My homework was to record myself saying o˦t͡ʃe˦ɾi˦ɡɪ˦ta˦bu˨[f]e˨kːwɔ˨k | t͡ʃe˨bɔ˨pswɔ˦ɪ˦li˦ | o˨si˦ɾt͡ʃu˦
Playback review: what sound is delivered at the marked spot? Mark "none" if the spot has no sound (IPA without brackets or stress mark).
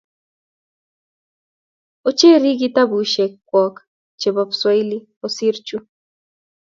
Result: ʃ